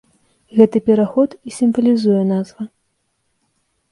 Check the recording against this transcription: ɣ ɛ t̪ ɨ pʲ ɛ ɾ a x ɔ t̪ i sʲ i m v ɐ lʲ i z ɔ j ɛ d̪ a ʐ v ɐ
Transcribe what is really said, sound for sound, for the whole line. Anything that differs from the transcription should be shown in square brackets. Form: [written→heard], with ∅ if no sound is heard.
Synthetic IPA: ɣ ɛ t̪ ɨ pʲ ɛ ɾ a x ɔ t̪ i sʲ i m v ɐ lʲ i z [ɔ→u] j ɛ [d̪→n̪] a [ʐ→z] v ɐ